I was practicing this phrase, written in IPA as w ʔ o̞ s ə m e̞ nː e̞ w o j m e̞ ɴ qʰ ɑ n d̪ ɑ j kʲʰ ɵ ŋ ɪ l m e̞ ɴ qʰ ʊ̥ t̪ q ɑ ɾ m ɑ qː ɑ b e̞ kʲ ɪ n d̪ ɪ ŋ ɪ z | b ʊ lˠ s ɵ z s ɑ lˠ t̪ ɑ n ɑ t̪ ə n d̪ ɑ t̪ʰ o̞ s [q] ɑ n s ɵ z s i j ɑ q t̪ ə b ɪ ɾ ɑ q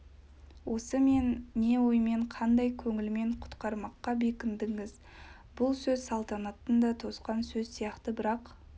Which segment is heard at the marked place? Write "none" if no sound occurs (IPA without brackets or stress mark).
q